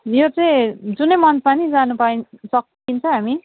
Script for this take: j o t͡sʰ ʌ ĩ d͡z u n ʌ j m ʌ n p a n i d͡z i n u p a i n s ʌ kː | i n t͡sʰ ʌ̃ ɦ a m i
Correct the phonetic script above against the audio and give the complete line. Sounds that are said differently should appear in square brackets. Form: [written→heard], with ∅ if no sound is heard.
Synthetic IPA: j o [t͡sʰ→t͡s] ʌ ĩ d͡z u n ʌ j m ʌ n p a n i d͡z [i→a] n u p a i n s ʌ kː | i n t͡sʰ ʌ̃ ɦ a m i